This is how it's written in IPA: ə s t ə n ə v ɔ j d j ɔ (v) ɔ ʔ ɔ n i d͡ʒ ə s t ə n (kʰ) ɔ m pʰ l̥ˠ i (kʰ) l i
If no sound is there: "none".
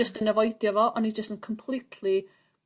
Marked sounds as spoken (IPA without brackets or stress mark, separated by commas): v, kʰ, tʰ